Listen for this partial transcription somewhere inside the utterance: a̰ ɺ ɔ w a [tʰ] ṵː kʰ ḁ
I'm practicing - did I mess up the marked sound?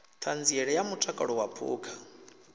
yes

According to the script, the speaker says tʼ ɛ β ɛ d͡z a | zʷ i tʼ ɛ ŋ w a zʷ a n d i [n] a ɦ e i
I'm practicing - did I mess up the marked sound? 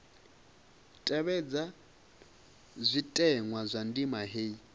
yes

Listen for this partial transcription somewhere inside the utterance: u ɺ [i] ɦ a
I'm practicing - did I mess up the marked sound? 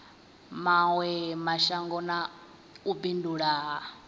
yes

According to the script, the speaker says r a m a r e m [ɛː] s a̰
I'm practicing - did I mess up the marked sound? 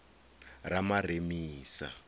yes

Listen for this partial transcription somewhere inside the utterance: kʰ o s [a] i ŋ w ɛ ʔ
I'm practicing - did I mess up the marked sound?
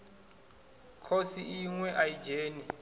yes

